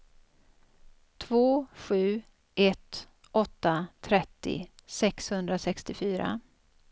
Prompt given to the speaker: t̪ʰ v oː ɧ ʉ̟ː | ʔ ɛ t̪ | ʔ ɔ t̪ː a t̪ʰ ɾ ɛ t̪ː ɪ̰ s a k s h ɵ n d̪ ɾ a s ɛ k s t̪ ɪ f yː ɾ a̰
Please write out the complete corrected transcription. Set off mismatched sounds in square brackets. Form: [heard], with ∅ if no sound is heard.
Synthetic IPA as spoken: t̪ʰ v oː ɧ ʉ̟ː | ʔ ɛ t̪ | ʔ ɔ t̪ː a t̪ʰ ɾ ɛ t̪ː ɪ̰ s [ɛ] k s h ɵ n d̪ ɾ a s ɛ k s t̪ ɪ f yː ɾ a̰